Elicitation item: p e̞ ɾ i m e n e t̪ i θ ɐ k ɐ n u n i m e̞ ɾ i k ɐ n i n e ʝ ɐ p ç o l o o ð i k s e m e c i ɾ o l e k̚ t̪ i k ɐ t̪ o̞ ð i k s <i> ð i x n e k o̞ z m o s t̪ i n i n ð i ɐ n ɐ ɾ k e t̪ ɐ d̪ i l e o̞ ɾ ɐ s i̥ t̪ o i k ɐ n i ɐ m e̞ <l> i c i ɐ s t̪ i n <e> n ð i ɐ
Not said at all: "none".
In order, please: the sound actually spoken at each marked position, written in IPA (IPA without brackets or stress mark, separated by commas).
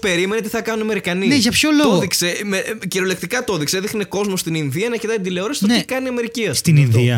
e, ɾ, i